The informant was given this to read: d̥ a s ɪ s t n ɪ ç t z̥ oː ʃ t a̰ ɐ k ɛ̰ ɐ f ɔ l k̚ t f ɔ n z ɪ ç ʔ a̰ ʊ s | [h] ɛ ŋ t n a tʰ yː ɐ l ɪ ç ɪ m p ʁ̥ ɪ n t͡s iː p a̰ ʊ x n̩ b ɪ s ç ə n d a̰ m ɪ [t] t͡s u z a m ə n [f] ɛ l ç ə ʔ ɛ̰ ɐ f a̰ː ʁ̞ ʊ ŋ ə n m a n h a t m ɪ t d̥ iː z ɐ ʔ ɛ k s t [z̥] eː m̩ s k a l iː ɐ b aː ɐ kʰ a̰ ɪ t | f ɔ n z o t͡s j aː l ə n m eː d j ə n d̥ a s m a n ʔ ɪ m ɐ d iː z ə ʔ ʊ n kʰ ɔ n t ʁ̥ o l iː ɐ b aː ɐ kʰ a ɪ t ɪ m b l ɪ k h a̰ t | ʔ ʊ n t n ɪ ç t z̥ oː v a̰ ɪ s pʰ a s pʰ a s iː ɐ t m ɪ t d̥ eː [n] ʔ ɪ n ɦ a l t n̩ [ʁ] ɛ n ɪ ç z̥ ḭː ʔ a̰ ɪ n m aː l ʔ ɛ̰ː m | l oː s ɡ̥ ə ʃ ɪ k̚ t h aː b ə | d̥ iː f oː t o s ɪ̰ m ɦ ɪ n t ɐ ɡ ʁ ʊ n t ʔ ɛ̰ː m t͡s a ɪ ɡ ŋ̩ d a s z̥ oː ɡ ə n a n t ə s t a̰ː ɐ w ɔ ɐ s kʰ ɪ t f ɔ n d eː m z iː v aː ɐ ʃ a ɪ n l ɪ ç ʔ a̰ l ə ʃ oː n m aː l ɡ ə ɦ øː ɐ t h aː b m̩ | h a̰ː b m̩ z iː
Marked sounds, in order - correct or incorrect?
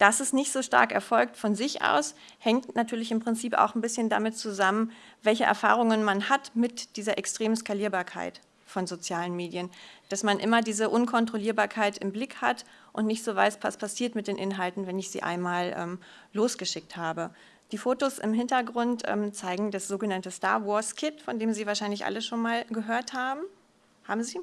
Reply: correct, correct, incorrect: v, incorrect: ʁ̥, correct, incorrect: v

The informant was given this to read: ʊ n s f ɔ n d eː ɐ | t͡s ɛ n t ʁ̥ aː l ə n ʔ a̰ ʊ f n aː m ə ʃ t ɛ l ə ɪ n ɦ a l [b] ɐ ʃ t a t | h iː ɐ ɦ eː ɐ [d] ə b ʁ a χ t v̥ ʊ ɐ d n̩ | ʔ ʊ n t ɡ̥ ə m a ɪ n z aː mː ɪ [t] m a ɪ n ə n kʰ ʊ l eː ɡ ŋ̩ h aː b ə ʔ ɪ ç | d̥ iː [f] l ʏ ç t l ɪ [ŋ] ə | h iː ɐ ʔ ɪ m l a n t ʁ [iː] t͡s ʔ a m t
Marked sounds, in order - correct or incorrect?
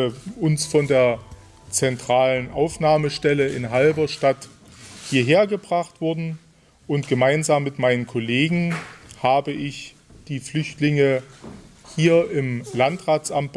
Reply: correct, incorrect: ɡ, correct, correct, correct, incorrect: aː

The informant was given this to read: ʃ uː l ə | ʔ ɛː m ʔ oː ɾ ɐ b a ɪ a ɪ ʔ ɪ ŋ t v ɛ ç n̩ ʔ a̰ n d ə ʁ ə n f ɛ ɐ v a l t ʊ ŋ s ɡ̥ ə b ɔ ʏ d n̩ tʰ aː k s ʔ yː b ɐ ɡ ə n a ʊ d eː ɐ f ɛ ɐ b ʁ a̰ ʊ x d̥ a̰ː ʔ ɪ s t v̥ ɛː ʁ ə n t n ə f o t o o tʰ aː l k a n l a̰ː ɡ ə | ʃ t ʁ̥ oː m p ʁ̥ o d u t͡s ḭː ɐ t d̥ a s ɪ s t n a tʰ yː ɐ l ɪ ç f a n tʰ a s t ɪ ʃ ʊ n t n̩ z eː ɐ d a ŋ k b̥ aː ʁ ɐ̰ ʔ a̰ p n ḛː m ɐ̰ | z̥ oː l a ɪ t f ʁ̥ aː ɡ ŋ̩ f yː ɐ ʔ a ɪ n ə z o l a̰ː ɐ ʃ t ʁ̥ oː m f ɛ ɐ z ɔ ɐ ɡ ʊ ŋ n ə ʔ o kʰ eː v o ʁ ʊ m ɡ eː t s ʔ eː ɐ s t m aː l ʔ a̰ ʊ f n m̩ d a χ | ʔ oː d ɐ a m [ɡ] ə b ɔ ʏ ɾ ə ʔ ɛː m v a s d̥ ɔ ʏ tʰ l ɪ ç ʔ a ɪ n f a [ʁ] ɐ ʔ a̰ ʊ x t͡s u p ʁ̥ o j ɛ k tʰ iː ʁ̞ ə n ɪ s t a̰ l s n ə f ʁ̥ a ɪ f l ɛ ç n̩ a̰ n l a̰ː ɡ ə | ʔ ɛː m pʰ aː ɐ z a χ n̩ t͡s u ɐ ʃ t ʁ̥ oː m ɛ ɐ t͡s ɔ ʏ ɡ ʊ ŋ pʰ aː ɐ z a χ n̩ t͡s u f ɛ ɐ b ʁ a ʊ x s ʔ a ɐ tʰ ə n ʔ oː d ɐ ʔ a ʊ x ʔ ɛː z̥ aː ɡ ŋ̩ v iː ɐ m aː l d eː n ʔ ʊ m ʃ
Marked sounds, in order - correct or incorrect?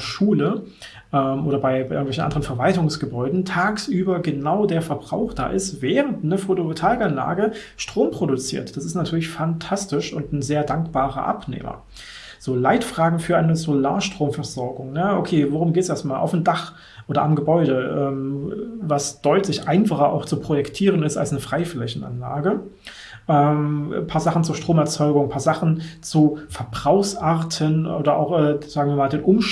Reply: correct, incorrect: χ

